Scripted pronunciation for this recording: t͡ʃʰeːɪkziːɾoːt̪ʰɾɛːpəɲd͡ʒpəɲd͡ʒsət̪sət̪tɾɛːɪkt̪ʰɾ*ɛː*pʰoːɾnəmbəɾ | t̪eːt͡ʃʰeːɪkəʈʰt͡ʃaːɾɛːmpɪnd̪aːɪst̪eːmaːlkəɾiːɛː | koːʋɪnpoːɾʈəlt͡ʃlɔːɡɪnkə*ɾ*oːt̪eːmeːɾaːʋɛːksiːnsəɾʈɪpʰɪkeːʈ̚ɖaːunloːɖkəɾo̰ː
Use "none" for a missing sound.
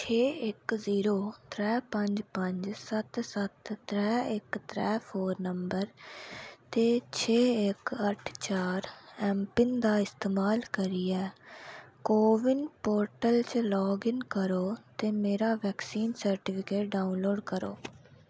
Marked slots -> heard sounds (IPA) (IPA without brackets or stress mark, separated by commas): ɛː, ɾ